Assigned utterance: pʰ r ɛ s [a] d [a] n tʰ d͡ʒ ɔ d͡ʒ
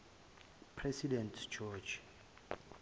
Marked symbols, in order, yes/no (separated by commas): no, no